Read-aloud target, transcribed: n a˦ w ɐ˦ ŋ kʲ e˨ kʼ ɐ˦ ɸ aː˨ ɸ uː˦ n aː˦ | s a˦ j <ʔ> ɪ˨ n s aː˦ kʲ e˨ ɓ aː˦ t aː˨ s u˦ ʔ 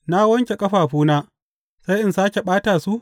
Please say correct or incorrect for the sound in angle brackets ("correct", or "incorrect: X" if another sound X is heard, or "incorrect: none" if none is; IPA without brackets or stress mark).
correct